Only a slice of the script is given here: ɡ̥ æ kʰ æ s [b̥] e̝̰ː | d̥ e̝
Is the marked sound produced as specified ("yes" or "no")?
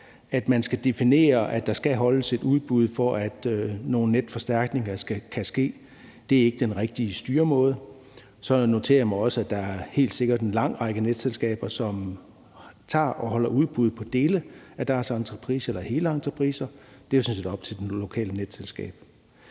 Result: no